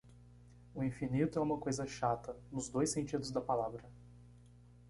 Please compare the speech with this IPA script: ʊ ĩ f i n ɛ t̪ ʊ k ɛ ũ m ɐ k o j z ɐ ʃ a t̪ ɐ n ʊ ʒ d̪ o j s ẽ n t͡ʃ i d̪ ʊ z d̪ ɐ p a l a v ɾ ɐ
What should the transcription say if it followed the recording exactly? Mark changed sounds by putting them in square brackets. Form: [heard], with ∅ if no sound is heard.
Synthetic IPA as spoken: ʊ ĩ f i n [i] t̪ ʊ [∅] ɛ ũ m ɐ k o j z ɐ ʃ a t̪ ɐ n ʊ [z] d̪ o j s ẽ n t͡ʃ i d̪ ʊ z d̪ ɐ p a l a v ɾ ɐ